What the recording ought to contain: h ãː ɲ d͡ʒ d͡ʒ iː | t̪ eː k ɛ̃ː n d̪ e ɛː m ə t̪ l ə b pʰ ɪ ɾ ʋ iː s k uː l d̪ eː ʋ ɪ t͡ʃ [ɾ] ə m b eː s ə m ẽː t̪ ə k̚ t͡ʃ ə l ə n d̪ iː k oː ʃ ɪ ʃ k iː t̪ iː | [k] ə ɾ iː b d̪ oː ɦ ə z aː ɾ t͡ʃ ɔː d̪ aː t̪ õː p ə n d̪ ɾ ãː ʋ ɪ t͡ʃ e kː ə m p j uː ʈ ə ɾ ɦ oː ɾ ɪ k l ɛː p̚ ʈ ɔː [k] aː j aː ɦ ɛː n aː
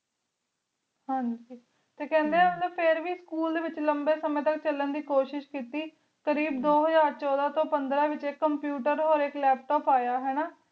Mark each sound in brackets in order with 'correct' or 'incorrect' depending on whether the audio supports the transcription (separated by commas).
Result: incorrect, correct, incorrect